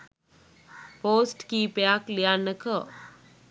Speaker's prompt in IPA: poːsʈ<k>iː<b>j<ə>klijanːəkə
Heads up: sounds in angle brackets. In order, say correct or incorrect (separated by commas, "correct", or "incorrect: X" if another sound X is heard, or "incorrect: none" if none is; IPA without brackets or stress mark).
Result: correct, incorrect: p, incorrect: a